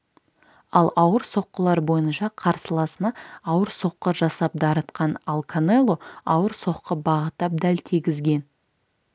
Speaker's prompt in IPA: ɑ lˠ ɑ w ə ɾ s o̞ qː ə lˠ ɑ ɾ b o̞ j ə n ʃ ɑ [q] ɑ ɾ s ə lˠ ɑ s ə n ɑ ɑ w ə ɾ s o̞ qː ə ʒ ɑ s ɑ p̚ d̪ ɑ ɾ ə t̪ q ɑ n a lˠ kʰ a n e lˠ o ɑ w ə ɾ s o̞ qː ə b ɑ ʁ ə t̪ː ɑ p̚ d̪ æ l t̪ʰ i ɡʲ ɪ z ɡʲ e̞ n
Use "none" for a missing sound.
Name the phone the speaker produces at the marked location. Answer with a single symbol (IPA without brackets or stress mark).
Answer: qʰ